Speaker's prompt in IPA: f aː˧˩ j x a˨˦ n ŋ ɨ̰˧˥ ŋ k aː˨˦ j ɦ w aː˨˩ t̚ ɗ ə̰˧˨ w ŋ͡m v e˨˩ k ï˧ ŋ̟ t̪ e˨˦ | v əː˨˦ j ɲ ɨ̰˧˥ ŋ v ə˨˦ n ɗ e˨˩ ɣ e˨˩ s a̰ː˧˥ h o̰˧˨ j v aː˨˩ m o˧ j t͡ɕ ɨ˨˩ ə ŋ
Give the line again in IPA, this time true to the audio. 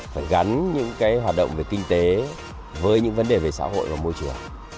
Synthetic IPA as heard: f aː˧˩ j ɣ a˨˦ n ɲ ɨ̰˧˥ ŋ k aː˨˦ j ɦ w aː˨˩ t̚ ɗ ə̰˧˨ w ŋ͡m v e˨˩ k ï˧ ŋ̟ t̪ e˨˦ | v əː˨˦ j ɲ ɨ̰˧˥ ŋ v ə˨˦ n ɗ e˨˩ v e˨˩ s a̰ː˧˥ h o̰˧˨ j v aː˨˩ m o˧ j t͡ɕ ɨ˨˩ ə ŋ